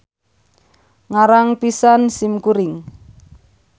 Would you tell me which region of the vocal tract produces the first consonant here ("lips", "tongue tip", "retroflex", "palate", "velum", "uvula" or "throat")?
velum